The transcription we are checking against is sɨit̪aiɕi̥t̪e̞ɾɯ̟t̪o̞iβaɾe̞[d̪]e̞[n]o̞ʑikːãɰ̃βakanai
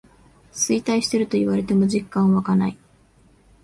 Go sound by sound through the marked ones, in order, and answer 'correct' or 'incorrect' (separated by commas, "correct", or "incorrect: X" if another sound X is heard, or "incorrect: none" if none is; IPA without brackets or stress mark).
incorrect: t̪, incorrect: m